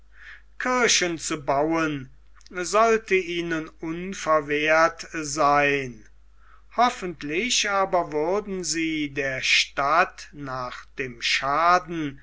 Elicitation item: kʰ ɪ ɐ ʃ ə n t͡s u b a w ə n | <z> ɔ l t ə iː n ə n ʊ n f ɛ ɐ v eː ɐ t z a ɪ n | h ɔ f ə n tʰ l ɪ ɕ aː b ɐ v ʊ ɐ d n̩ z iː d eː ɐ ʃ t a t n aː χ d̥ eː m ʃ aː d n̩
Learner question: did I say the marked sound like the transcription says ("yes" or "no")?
yes